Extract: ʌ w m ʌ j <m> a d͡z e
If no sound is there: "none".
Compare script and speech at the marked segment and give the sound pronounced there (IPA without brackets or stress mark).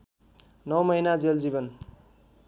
n